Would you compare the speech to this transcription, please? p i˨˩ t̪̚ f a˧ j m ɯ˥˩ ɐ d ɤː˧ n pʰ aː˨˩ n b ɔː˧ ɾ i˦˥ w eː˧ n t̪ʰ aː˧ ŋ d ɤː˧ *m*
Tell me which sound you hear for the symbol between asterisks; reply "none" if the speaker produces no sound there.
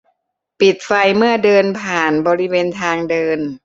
n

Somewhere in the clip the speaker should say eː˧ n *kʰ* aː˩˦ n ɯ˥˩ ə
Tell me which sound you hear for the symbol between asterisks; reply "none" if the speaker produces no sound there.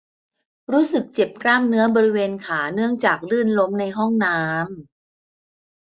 kʰ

